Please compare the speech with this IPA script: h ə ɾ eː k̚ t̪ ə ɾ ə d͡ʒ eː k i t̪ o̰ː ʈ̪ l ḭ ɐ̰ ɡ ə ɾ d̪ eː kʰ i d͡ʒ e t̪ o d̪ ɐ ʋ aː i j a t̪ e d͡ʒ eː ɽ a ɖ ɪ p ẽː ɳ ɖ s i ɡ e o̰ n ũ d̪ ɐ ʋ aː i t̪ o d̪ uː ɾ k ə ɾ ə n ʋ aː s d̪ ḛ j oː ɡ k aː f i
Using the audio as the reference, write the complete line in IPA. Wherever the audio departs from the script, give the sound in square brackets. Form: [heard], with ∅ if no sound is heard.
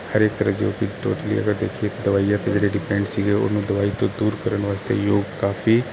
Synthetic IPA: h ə ɾ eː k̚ t̪ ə ɾ ə d͡ʒ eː k i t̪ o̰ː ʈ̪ l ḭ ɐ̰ ɡ ə ɾ d̪ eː kʰ i [∅] e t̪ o d̪ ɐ ʋ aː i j a t̪ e d͡ʒ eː ɽ [e] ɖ ɪ p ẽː ɳ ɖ s i ɡ e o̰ n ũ d̪ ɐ ʋ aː i t̪ o d̪ uː ɾ k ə ɾ ə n ʋ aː s [t̪] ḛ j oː ɡ k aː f i